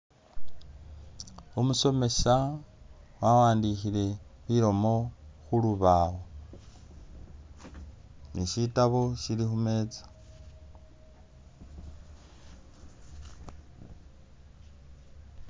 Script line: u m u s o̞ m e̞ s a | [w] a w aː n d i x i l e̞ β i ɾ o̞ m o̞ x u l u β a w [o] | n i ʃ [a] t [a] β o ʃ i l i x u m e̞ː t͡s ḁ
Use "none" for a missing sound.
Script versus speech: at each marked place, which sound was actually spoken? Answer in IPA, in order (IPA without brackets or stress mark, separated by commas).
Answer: w, o, i, a